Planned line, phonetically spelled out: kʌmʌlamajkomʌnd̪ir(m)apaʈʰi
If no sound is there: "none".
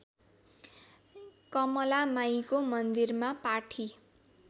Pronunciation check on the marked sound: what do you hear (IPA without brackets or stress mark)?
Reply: m